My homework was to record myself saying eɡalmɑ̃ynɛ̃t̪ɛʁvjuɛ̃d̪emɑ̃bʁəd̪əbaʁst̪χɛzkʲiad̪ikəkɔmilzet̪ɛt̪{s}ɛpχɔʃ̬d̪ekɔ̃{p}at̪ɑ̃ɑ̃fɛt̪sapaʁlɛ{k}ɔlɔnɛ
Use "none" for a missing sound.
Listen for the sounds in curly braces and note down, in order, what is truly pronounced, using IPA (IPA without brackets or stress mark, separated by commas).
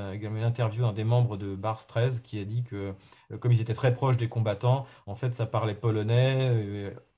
χ, b, p